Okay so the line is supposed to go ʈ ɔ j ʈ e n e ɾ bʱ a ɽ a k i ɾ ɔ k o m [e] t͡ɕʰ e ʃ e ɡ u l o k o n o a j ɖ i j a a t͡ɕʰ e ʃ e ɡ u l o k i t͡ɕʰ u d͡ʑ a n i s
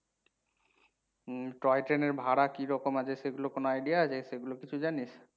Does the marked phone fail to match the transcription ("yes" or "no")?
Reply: yes